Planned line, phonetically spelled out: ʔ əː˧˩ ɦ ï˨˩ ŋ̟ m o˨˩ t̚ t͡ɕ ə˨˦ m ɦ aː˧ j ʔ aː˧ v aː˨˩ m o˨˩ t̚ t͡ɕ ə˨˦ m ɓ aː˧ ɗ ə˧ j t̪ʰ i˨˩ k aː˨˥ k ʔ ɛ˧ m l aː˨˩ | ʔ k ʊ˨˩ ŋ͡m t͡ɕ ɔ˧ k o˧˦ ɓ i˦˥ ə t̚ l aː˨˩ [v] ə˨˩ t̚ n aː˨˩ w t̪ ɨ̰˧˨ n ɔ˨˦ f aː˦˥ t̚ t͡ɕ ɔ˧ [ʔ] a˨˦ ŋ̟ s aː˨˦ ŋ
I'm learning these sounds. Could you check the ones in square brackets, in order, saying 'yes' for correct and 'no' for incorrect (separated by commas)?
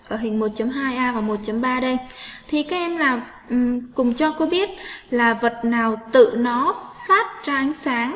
yes, yes